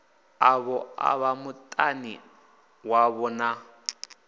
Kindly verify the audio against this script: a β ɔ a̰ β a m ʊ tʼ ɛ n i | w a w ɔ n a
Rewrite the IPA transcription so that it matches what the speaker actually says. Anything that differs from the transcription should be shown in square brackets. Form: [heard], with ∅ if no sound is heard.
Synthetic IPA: a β ɔ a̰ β a m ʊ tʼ [a] n i | w a [β] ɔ n a